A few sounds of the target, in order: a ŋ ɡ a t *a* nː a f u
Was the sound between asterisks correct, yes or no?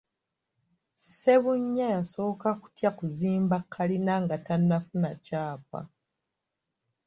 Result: yes